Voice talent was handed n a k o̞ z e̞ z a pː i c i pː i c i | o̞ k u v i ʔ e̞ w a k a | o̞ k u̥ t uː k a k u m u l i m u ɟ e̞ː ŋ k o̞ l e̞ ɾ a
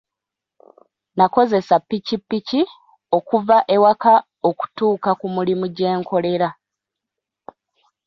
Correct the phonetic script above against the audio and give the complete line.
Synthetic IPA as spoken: n a k o̞ z e̞ s a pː i c i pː i c i | o̞ k u v a ʔ e̞ w a k a | o̞ k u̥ t uː k a k u m u l i m u ɟ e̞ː ŋ k o̞ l e̞ ɾ a

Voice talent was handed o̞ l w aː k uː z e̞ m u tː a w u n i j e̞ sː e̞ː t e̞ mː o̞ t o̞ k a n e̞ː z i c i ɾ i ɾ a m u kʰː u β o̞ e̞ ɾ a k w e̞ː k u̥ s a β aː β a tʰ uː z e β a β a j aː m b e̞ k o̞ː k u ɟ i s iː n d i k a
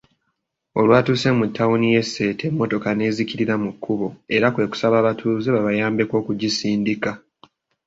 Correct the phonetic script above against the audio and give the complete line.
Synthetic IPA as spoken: o̞ l w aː t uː s e̞ m u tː a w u n i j e̞ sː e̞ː t e̞ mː o̞ t o̞ k a n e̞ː z i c i ɾ i ɾ a m u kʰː u β o̞ e̞ ɾ a k w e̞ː k u̥ s a β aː β a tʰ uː z e β a β a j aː m b e̞ k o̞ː k u ɟ i s iː n d i k a

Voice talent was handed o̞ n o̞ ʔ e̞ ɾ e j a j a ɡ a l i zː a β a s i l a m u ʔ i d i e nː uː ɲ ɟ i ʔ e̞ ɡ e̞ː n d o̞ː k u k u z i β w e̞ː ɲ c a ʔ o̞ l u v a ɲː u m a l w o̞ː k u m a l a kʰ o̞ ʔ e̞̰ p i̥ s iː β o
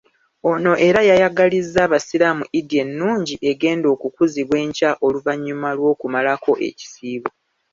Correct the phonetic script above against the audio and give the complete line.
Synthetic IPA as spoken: o̞ n o̞ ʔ e̞ ɾ a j a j a ɡ a l i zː a β a s i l a m u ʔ i d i e nː uː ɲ ɟ i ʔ e̞ ɡ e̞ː n d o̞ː k u k u z i β w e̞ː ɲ c a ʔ o̞ l u v a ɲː u m a l w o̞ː k u m a l a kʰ o̞ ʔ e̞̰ c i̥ s iː β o

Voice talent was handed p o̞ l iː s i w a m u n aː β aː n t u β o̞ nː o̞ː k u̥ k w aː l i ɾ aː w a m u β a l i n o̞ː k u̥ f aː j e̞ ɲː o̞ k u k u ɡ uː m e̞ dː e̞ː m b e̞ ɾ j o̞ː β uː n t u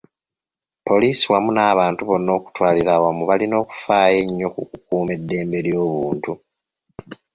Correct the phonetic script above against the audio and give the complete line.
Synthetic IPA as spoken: p o̞ l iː s i w a m u n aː β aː n t u β o̞ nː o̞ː k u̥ t w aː l i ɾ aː w a m u β a l i n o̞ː k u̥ f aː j e̞ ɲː o̞ k u k u k uː m e̞ dː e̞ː m b e̞ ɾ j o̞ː β uː n t u

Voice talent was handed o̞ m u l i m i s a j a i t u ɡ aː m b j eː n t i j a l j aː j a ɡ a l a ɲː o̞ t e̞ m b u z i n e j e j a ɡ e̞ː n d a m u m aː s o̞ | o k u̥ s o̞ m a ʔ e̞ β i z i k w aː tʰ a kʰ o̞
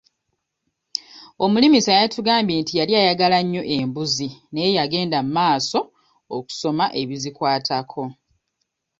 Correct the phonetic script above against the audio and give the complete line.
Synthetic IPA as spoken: o̞ m u l i m i s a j a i t u ɡ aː m b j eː n t i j a l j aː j a ɡ a l a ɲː o̞ ʔ e̞ m b u z i n e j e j a ɡ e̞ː n d a m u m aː s o̞ | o k u̥ s o̞ m a ʔ e̞ β i z i k w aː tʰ a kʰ o̞

